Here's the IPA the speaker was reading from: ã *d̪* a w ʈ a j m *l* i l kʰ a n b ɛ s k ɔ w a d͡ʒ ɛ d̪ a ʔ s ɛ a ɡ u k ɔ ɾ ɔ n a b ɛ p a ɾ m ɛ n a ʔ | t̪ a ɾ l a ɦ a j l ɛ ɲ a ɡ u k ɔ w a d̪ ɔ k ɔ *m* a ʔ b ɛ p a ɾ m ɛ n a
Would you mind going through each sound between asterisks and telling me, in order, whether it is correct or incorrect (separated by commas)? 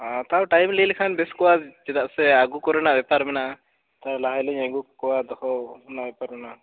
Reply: incorrect, correct, incorrect